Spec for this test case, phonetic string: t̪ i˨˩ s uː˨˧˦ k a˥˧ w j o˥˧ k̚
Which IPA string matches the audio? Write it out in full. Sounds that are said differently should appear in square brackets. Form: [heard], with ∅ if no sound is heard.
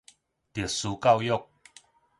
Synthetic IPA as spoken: t̪ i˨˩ s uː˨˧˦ k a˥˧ w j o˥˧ k̚